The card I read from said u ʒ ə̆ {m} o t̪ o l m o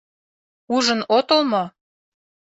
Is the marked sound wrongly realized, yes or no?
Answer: yes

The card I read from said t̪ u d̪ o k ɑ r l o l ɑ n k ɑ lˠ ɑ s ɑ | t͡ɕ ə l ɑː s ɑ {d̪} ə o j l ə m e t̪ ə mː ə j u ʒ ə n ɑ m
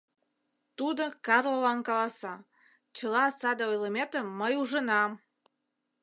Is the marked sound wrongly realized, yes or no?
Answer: no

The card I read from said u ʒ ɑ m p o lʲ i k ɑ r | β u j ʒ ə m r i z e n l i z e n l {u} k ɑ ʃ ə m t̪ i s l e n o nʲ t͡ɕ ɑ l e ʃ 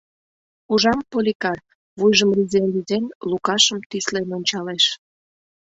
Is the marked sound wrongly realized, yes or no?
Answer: no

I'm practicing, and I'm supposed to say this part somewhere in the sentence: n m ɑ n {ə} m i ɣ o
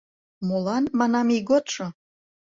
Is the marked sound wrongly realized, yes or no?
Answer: yes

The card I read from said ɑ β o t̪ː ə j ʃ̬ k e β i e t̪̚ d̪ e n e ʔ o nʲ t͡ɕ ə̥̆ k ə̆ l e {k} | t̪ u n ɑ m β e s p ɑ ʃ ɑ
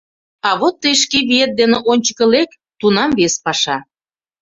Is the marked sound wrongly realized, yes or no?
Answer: no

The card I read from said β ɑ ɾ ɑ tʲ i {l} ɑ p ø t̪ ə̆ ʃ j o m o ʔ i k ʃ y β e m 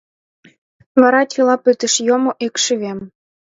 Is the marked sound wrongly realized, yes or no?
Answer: no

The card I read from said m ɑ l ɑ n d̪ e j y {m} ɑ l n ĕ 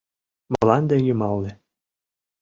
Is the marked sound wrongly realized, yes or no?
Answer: no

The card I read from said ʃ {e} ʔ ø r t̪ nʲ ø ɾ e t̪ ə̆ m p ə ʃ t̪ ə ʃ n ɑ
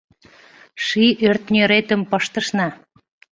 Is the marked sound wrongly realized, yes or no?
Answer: yes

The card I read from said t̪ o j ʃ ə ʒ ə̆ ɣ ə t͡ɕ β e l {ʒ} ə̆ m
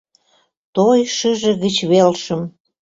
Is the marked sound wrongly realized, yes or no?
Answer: yes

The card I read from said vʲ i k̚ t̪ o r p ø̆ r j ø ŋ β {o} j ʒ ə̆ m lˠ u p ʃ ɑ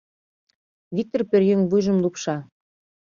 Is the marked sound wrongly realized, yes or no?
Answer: yes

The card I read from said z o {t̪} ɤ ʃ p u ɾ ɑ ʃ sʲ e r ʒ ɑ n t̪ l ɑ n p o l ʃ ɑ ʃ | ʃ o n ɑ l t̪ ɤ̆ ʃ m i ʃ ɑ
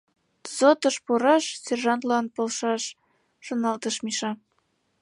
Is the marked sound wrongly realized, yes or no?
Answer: no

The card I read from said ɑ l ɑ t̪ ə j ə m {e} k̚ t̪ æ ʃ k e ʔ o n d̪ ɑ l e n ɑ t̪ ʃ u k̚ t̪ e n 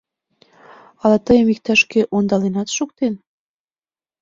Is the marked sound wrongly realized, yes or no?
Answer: yes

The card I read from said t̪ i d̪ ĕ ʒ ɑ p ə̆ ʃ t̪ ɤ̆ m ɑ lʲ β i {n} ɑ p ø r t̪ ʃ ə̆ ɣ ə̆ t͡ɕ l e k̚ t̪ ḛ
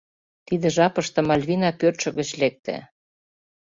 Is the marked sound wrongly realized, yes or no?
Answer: no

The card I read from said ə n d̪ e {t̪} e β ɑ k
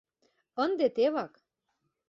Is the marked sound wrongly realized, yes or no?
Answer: no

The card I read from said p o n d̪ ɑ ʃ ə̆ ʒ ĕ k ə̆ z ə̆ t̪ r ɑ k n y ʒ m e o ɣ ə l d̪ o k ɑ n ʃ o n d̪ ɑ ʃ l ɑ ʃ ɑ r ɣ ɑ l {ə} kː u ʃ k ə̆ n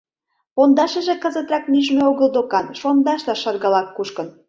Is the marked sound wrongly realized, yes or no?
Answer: yes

